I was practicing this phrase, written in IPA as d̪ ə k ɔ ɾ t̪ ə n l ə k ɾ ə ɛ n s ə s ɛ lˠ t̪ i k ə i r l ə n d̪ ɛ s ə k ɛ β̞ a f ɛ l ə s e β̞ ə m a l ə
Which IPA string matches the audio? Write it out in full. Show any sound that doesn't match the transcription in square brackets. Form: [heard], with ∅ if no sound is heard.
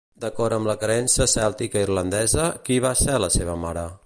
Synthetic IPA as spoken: d̪ ə k ɔ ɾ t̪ ə [m] l ə k ɾ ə ɛ n s ə s ɛ lˠ t̪ i k ə i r l ə n d̪ ɛ [z] ə k [i] β̞ a [s] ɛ l ə s e β̞ ə m a [ɾ] ə